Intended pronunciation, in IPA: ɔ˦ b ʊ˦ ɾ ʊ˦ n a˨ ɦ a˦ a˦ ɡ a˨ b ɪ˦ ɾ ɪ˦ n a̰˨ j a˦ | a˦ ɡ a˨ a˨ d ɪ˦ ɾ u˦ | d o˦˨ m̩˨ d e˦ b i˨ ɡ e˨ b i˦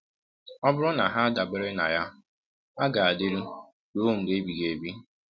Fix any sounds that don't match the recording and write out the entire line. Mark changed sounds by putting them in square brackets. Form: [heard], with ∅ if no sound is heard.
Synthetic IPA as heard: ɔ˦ b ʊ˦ ɾ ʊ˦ n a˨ ɦ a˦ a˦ [d] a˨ b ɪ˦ ɾ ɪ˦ n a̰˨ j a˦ | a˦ ɡ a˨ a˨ d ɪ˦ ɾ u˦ | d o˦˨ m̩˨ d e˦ b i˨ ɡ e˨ b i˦

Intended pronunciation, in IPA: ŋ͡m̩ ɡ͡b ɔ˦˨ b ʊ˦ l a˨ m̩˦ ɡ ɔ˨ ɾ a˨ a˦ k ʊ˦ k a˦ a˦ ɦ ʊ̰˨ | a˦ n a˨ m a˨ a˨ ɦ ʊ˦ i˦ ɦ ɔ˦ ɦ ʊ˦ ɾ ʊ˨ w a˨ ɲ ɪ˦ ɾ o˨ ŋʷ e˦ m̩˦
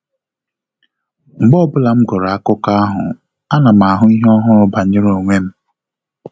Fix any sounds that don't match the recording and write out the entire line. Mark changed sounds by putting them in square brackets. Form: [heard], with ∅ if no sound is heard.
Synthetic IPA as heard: ŋ͡m̩ ɡ͡b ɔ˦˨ b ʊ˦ l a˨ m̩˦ ɡ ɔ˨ ɾ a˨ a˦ k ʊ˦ k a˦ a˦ ɦ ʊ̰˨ | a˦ n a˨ m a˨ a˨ ɦ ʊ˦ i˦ ɦ ɔ˦ ɦ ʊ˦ ɾ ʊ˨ [b] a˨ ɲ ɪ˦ ɾ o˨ ŋʷ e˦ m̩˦

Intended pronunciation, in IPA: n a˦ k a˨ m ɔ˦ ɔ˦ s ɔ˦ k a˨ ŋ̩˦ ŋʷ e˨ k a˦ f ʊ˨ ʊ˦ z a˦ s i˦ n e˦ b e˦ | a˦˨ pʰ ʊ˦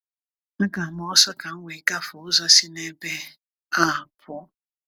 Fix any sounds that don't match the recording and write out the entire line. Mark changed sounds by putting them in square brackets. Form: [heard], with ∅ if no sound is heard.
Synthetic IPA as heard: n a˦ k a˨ m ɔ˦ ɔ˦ s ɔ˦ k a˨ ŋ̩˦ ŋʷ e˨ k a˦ f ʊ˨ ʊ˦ z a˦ s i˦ n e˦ b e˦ | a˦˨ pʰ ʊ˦

